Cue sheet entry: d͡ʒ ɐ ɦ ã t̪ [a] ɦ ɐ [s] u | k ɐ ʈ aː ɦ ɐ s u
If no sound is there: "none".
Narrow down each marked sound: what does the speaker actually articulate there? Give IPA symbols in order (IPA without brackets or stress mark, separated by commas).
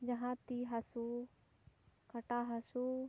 i, s